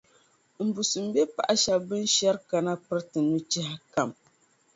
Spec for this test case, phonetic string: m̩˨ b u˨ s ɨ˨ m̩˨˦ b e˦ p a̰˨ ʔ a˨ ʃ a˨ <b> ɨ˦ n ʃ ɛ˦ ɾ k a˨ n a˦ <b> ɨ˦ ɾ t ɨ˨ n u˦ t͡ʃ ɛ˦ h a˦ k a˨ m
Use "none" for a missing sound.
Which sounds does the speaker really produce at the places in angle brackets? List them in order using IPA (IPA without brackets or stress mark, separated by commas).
b, p